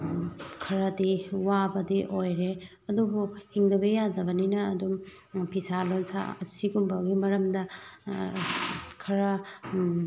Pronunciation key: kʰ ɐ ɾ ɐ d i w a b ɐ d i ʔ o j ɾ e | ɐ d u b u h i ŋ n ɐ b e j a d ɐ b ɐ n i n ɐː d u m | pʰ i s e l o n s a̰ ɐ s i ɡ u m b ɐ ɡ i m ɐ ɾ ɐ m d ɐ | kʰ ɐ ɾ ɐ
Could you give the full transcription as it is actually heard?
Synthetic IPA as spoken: kʰ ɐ ɾ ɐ d i w a b ɐ d i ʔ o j ɾ e | ɐ d u b u h i ŋ d ɐ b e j a d ɐ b ɐ n i n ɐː d u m | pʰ i s a l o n s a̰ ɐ s i ɡ u m b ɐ ɡ i m ɐ ɾ ɐ m d ɐ | kʰ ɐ ɾ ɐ